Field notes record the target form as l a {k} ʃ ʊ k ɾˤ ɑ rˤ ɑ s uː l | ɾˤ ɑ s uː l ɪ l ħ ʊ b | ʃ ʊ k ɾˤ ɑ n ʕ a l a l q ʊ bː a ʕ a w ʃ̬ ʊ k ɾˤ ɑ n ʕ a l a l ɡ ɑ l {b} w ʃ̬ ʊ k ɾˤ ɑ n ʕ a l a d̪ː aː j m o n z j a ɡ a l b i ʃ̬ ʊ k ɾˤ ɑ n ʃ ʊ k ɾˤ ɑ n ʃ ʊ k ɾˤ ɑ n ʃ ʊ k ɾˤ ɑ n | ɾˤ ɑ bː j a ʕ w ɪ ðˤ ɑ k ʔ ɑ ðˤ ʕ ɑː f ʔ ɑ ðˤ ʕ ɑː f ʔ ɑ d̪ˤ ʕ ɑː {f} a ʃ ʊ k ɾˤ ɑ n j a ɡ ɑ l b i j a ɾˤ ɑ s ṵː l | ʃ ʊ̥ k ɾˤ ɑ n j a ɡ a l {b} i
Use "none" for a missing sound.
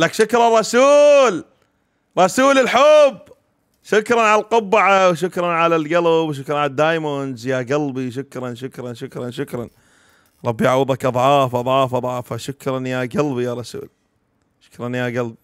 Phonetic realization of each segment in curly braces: k, b, f, b

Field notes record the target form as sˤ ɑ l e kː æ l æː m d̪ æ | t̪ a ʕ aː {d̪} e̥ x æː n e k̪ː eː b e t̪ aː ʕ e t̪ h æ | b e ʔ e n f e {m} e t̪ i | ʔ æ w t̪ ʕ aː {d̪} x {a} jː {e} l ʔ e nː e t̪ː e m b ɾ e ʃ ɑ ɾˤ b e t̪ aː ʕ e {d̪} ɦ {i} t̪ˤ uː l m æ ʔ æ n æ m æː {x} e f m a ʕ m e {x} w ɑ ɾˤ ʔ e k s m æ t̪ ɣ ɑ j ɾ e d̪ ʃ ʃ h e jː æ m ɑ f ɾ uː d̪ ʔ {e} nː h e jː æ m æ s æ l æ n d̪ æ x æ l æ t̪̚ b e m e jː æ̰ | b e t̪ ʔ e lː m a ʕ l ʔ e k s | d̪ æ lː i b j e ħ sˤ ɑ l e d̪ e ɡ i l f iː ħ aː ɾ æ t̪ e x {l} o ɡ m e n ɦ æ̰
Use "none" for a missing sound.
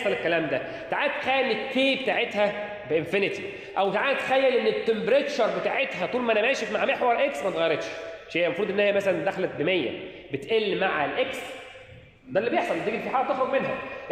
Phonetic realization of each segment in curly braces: t̪, n, t̪, æ, æ, t̪, æ, ʃ, ħ, e, ɾ

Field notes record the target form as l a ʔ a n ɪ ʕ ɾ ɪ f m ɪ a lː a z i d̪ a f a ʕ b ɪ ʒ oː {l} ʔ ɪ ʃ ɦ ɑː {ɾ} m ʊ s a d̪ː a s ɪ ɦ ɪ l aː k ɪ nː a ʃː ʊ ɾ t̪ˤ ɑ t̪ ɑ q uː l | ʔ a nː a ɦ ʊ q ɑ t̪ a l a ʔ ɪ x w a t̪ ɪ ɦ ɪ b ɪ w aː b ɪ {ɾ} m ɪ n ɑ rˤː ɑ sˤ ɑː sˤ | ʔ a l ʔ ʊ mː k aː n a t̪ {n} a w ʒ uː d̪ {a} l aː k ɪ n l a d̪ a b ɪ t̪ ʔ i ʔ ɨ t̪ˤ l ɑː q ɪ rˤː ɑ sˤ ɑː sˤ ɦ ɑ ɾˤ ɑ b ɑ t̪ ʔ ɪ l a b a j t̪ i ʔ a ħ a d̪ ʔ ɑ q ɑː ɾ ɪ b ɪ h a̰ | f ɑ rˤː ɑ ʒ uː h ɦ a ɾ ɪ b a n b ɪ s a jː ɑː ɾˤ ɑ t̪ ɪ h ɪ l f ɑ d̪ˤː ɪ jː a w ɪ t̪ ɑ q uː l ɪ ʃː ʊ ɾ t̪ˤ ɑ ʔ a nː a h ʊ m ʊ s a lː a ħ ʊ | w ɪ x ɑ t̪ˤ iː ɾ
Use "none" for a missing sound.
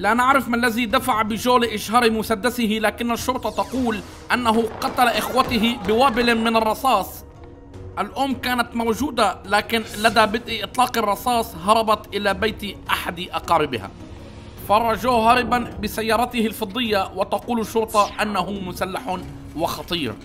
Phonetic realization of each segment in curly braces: l, ɾ, l, m, a

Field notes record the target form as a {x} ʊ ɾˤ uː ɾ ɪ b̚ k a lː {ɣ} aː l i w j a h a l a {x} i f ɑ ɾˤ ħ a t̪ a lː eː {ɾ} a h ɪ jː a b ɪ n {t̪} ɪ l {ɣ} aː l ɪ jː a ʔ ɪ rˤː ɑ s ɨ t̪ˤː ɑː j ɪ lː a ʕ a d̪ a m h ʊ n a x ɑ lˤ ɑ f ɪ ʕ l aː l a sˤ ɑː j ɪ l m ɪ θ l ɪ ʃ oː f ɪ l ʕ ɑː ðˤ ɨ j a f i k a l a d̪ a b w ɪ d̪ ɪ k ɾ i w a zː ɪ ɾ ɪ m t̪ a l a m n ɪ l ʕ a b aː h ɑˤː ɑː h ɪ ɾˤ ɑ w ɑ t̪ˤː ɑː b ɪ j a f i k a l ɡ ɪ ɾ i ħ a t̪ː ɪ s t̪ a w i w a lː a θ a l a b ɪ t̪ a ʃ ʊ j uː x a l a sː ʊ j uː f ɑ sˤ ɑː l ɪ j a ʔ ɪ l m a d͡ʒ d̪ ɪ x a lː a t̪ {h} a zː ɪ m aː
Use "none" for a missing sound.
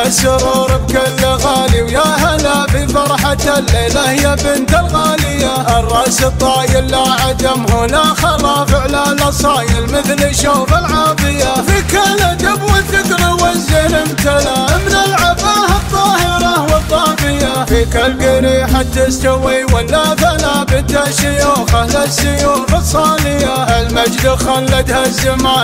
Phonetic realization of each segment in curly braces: s, ɣ, f, l, t̪, ɣ, h

